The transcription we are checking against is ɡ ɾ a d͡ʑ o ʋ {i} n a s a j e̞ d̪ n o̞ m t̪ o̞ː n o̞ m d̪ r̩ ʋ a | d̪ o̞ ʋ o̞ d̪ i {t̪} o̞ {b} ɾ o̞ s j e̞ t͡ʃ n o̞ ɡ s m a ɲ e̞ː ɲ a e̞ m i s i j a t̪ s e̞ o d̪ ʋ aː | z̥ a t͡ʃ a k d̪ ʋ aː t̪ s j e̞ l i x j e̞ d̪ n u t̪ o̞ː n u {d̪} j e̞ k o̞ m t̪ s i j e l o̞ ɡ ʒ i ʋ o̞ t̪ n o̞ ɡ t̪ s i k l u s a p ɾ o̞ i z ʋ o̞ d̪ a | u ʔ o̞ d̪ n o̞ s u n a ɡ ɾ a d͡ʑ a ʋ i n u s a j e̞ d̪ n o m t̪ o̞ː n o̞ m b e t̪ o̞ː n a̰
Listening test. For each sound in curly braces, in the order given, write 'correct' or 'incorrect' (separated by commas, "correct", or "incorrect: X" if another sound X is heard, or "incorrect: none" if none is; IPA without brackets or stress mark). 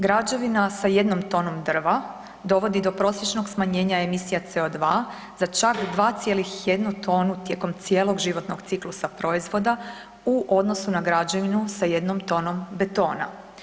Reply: correct, incorrect: d̪, incorrect: p, incorrect: t̪